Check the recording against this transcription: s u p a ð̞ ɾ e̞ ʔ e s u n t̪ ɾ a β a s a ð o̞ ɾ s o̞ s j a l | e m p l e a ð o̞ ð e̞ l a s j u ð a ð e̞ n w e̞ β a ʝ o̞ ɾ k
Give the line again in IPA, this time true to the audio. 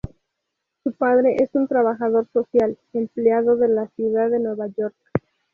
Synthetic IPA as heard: s u p a ð̞ ɾ e̞ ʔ e s u n t̪ ɾ a β a x a ð o̞ ɾ s o̞ s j a l | e m p l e a ð o̞ ð e̞ l a s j u ð a ð e̞ n w e̞ β a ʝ o̞ ɾ k